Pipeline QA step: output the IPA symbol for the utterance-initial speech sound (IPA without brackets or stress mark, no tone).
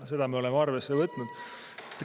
s